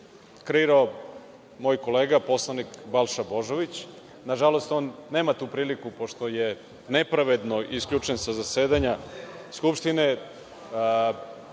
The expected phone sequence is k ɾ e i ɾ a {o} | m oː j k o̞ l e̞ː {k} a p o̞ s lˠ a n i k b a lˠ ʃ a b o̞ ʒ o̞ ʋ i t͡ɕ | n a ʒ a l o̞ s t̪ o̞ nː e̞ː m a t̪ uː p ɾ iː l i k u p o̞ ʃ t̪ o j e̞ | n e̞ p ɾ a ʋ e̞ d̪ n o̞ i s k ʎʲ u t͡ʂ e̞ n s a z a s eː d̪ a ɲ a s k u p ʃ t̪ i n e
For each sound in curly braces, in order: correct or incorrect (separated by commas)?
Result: correct, incorrect